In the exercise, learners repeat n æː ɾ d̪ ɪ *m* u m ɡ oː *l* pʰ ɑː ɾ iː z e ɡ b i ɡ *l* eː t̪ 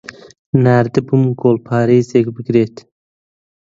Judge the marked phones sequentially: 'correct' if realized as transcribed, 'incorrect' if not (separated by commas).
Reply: incorrect, correct, incorrect